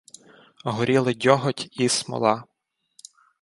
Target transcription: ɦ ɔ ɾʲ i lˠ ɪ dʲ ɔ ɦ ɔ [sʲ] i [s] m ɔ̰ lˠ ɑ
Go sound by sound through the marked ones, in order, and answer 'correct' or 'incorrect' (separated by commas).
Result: incorrect, correct